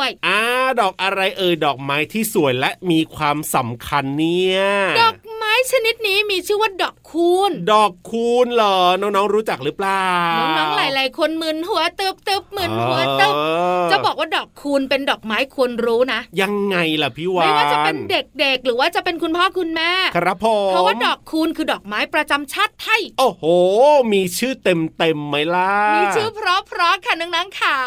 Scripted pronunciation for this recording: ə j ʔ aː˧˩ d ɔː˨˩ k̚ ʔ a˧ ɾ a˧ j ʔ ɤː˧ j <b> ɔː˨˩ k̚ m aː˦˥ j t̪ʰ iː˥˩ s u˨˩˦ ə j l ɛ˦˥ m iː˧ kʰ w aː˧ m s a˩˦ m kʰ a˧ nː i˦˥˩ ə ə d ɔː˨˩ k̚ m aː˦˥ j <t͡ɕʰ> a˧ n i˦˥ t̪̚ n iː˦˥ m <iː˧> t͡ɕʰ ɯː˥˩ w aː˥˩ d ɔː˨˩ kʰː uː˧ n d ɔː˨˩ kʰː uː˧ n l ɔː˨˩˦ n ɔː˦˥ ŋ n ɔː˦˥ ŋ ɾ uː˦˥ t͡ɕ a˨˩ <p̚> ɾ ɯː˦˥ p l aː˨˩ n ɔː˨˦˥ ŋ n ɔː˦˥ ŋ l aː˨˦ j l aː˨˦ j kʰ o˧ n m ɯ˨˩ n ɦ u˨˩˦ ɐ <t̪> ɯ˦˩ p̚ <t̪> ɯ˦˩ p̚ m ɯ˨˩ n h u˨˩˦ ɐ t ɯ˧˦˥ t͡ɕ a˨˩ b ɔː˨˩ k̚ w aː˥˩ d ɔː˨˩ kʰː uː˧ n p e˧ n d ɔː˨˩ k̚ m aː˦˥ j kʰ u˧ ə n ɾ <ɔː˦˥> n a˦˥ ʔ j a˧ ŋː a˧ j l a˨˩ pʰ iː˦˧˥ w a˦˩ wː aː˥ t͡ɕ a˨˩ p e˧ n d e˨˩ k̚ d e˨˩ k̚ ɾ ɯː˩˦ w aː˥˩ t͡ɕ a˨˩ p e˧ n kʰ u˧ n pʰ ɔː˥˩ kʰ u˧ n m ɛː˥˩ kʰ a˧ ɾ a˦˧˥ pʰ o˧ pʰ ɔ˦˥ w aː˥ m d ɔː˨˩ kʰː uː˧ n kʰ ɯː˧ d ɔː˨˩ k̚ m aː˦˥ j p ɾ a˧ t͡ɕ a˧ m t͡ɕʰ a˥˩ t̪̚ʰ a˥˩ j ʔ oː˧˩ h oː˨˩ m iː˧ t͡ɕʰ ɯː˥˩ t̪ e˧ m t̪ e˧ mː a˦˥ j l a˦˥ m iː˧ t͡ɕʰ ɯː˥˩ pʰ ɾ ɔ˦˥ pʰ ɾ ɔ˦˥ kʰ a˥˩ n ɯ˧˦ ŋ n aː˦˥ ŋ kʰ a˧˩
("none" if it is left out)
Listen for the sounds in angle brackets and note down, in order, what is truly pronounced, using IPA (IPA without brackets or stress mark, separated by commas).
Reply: d, t͡ɕʰ, iː˧, k̚, t̪, t̪, uː˦˥